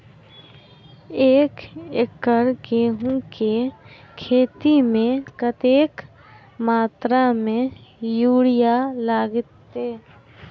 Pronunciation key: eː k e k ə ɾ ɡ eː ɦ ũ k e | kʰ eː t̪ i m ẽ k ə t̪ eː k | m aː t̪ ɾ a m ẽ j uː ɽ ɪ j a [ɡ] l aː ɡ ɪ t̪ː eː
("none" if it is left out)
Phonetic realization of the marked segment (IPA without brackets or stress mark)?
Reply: none